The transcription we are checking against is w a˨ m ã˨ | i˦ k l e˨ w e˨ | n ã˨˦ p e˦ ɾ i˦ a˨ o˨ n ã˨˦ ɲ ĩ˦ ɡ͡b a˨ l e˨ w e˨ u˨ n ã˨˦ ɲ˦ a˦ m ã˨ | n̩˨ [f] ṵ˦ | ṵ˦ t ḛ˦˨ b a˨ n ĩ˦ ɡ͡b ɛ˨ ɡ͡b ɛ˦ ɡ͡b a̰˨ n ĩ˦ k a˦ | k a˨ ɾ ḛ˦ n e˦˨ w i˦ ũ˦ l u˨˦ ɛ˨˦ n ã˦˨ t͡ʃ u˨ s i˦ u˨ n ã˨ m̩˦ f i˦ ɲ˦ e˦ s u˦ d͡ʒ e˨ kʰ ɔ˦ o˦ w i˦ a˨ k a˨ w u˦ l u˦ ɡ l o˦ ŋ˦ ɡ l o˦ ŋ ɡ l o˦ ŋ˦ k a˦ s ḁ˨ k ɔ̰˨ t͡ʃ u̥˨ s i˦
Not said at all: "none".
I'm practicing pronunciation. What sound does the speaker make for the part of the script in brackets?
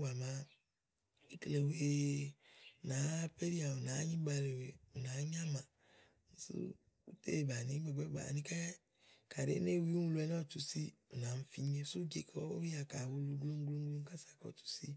s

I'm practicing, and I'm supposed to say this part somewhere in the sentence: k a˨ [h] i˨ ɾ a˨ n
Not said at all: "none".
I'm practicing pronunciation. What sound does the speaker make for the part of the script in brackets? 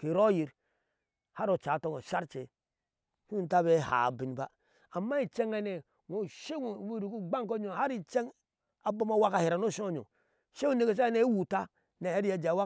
h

